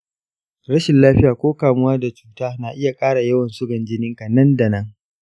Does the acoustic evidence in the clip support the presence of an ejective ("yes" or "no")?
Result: yes